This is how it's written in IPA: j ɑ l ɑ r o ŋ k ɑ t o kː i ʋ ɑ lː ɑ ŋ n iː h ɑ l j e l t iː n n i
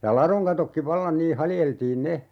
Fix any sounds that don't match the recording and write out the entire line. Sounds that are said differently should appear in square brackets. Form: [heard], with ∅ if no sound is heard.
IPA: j ɑ l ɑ r o ŋ k ɑ t o kː i ʋ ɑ lː ɑ [n] n iː h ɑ l j e l t iː n n [e]